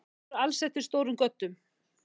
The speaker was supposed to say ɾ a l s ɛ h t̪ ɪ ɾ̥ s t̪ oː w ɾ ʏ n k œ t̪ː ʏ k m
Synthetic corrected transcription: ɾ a l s ɛ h t̪ ɪ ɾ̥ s t̪ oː w ɾ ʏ m k œ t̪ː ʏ m